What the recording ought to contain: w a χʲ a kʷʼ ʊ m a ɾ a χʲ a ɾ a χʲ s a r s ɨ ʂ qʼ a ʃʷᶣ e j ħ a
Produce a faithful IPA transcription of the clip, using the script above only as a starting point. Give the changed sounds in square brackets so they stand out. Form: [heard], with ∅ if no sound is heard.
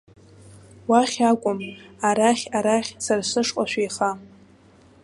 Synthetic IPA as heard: w a χʲ a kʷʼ ʊ m a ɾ a χʲ a ɾ a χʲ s a r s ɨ ʂ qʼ a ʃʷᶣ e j [χ] a